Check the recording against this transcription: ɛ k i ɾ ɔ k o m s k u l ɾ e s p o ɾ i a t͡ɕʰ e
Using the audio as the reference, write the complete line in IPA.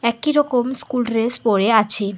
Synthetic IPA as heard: ɛ k i ɾ ɔ k o m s k u l ɾ e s p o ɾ e a t͡ɕʰ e